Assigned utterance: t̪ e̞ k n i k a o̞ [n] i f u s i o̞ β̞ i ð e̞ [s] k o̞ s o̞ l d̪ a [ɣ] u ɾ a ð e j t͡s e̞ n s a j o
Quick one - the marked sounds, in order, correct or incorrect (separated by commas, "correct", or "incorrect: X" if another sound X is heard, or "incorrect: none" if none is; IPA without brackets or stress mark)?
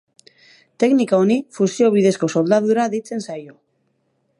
correct, correct, incorrect: ð